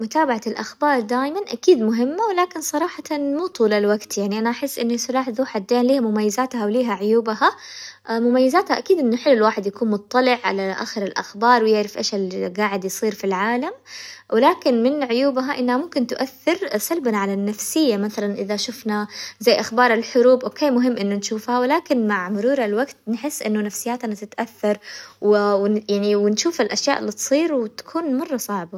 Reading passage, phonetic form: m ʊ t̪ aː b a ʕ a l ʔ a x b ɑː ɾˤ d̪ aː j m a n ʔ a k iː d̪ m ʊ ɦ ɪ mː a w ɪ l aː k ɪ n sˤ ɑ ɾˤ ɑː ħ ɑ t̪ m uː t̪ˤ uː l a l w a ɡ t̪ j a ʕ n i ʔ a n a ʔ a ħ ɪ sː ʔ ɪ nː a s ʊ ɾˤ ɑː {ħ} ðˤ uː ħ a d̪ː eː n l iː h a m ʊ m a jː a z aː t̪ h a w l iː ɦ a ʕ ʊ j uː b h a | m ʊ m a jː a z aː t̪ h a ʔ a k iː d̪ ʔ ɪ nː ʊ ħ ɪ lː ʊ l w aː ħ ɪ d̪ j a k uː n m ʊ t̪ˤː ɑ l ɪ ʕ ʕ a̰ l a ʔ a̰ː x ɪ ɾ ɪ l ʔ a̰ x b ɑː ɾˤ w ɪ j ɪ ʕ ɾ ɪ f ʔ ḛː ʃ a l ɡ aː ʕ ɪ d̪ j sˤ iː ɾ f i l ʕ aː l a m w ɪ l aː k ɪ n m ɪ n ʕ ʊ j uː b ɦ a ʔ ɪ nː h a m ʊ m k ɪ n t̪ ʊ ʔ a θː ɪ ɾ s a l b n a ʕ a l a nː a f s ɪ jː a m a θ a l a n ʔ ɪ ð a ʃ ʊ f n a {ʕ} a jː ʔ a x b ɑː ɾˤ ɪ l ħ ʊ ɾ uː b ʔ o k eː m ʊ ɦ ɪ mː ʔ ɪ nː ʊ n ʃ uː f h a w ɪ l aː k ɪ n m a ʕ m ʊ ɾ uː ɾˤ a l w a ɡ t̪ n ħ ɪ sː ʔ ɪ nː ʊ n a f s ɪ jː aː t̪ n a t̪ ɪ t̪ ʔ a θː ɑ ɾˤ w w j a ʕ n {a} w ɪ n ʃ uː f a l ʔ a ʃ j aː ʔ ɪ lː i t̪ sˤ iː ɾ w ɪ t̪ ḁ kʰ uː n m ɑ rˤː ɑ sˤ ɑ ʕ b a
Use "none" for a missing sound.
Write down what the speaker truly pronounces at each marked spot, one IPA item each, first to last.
ħ, z, i

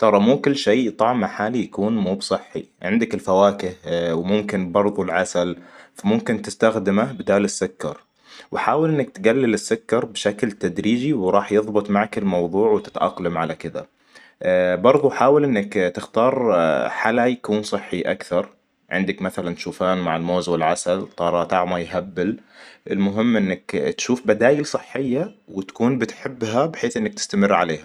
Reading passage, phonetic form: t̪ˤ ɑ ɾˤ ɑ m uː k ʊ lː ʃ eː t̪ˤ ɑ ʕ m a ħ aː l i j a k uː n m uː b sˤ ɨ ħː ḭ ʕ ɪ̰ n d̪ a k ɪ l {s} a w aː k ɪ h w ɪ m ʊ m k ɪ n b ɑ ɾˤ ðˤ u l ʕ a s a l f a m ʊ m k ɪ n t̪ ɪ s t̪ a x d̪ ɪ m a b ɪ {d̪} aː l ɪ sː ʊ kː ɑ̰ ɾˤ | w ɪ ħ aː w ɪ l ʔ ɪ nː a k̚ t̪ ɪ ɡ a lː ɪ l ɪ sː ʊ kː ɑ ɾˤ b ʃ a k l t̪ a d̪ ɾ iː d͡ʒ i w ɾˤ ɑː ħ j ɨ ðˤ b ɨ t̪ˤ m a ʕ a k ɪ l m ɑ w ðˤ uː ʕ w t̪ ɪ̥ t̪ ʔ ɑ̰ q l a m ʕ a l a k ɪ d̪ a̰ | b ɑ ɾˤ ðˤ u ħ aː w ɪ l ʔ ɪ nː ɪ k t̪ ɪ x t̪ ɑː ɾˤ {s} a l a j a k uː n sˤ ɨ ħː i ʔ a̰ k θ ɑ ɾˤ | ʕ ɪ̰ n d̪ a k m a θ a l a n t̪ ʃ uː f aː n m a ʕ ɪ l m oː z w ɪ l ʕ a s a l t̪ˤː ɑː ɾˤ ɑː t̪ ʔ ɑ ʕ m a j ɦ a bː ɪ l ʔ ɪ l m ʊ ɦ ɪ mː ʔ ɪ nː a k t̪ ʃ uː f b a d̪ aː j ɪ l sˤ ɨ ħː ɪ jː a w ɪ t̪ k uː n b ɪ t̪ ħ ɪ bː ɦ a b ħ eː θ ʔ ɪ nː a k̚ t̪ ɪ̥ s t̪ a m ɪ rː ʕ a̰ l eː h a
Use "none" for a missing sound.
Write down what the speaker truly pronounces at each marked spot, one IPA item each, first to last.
f, d̪, ħ

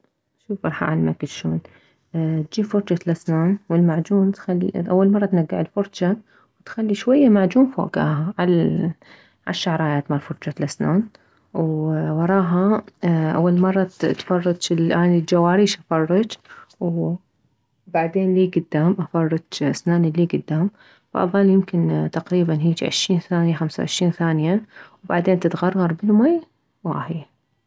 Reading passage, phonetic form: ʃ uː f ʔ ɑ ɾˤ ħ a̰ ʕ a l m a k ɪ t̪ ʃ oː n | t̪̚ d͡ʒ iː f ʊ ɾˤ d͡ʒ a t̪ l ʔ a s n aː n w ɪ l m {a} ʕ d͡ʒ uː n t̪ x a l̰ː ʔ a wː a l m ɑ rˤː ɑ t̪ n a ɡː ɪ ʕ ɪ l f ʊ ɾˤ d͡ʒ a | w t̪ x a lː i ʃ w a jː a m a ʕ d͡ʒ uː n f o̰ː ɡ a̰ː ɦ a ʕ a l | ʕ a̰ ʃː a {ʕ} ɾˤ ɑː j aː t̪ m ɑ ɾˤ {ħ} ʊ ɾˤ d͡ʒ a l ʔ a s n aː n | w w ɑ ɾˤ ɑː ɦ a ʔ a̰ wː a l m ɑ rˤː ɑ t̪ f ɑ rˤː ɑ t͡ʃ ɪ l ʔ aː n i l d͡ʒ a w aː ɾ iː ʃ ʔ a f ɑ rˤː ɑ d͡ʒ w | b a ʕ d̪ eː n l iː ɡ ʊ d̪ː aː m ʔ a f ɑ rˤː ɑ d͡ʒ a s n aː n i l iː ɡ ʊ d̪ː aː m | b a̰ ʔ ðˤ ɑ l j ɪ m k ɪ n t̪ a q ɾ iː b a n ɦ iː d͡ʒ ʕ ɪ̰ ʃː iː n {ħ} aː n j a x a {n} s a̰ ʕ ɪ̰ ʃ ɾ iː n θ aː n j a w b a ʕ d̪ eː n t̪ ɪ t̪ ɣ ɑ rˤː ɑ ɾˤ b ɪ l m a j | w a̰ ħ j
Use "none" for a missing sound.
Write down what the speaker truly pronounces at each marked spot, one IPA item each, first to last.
a, ʕ, f, θ, m

